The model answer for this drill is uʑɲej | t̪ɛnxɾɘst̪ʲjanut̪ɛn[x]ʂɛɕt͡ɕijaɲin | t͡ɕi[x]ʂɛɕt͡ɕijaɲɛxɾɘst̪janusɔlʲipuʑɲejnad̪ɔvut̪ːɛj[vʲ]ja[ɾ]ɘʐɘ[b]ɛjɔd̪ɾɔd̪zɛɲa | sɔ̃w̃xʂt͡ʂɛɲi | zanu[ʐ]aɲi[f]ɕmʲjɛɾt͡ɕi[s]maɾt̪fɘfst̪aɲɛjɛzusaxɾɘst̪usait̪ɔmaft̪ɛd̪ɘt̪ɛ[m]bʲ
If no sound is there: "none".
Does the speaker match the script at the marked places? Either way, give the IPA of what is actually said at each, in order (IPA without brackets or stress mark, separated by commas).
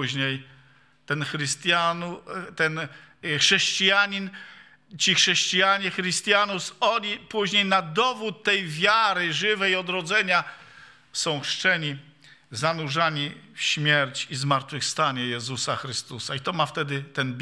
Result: x, x, vʲ, ɾ, v, ʐ, f, z, n